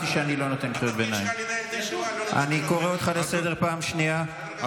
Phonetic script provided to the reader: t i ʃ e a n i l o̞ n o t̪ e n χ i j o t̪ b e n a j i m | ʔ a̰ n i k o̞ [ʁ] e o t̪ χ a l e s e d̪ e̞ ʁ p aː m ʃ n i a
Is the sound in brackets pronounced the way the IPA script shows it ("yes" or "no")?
yes